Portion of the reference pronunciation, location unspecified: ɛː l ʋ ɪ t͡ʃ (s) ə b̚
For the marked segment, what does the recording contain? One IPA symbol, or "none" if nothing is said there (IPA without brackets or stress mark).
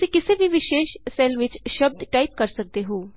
ʃ